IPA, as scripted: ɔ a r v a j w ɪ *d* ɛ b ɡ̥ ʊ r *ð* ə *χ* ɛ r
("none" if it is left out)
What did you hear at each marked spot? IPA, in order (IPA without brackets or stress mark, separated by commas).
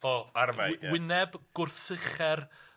n, θ, χ